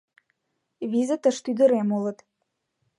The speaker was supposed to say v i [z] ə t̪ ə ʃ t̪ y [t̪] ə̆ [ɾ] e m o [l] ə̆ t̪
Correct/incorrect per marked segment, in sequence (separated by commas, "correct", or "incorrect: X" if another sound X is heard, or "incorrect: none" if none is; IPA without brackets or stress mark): correct, incorrect: d̪, correct, correct